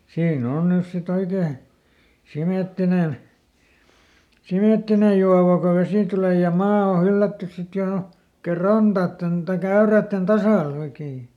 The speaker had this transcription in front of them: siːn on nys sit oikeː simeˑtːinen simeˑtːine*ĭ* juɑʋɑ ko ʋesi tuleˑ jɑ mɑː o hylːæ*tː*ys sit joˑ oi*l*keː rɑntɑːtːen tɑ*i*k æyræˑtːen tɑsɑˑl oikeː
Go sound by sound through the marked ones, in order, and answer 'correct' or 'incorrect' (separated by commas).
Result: incorrect, correct, incorrect, correct